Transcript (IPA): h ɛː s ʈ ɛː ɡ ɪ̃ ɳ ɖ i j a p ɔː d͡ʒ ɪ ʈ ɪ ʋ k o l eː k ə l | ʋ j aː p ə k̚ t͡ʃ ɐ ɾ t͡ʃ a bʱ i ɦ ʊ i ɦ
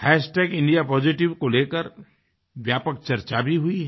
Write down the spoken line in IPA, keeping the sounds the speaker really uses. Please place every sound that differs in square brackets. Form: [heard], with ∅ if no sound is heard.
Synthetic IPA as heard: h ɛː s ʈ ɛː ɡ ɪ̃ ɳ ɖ i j a p ɔː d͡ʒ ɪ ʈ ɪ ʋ k o l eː k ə [ɾ] | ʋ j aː p ə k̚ t͡ʃ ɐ ɾ t͡ʃ a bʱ i ɦ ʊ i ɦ